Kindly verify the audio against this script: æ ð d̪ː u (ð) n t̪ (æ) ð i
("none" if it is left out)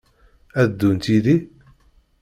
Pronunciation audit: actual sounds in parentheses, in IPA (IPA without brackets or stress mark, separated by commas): none, i